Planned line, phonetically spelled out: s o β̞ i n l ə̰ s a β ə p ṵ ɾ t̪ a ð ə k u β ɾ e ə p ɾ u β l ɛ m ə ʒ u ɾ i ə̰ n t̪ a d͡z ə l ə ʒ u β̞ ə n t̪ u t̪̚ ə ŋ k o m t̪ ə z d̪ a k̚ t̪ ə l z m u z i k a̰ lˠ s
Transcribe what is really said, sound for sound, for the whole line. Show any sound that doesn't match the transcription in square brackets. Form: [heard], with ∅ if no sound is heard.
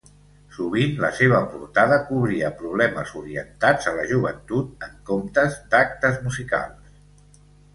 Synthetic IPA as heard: s [u] β̞ i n l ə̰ s [e] β ə p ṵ ɾ t̪ a ð ə k u β ɾ [i] ə p ɾ u β l ɛ m ə [z] u ɾ i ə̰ n t̪ a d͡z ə l ə ʒ u β̞ ə n t̪ u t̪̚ ə ŋ k o m t̪ ə z d̪ a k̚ t̪ ə [∅] z m u z i k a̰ lˠ s